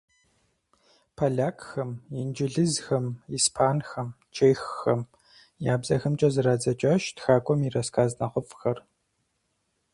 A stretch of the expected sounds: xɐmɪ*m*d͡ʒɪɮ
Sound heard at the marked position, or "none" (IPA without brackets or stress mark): n